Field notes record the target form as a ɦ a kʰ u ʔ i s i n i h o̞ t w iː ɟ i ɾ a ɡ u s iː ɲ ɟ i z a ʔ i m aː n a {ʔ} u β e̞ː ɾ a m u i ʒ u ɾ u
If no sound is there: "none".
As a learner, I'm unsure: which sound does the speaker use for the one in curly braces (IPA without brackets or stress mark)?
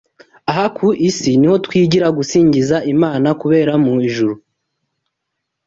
k